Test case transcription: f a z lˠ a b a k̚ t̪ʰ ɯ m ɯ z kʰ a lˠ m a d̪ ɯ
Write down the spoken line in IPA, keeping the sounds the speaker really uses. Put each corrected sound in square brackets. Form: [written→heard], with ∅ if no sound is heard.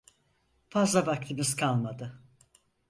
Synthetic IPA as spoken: f a z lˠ a b a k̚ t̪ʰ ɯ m ɯ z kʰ a lˠ m a d̪ ɯ